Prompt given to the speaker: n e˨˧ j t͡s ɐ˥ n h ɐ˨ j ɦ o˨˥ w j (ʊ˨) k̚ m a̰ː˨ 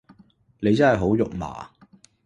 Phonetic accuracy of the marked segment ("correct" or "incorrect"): correct